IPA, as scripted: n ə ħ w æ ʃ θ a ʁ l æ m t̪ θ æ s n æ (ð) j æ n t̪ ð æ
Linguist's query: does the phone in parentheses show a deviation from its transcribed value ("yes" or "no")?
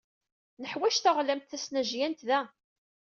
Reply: yes